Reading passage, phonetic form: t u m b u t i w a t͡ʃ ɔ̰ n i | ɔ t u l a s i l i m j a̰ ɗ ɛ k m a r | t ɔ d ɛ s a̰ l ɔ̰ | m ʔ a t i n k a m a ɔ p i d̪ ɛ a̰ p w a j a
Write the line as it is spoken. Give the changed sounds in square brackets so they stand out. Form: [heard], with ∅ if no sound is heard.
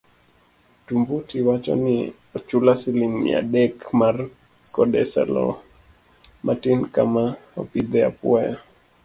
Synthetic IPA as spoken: t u m b u t i w a t͡ʃ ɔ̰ n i | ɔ [t͡ʃ] u l a s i l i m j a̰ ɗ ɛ k m a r | [k] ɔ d ɛ s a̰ l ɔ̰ | m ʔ a t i n k a m a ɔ p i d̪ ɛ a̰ p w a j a